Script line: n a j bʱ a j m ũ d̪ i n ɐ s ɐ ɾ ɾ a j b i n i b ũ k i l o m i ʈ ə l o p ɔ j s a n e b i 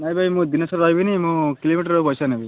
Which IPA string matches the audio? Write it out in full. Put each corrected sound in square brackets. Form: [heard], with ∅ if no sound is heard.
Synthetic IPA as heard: n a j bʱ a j m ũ d̪ i n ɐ s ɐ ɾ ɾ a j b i n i [m] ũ k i l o m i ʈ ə [ɾ] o p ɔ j s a n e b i